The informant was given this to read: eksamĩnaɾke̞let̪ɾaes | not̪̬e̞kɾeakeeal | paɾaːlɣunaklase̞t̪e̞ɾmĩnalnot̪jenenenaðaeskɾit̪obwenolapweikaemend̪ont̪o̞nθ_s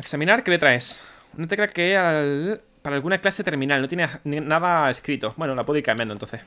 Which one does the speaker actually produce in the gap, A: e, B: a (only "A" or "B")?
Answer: A